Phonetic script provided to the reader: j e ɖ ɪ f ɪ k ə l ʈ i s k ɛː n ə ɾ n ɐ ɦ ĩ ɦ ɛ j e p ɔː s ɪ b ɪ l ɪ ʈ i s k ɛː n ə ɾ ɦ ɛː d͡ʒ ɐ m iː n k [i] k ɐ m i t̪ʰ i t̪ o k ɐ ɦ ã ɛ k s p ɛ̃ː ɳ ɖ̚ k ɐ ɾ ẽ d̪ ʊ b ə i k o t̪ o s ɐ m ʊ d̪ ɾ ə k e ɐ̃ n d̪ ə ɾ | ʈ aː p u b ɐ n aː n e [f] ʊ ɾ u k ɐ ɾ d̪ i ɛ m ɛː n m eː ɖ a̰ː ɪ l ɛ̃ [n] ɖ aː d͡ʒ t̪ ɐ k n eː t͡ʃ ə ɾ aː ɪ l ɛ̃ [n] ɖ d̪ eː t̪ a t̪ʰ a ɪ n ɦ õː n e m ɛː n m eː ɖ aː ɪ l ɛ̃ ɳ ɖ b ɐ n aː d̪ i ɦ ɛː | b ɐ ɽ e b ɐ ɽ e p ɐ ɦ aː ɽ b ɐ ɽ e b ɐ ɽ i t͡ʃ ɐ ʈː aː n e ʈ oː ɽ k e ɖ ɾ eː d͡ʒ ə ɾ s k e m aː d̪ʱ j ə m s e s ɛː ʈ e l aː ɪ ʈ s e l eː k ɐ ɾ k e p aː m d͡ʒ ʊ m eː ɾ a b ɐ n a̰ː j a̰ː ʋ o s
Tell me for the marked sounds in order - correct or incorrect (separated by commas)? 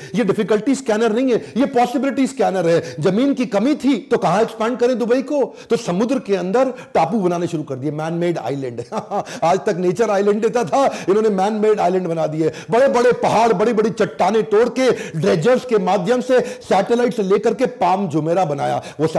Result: correct, incorrect, incorrect, incorrect